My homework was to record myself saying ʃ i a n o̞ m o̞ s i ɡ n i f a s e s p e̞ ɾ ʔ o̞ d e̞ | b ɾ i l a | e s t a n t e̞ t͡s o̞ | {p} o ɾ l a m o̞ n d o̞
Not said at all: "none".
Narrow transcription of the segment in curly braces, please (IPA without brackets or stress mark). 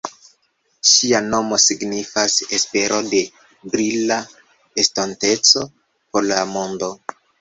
p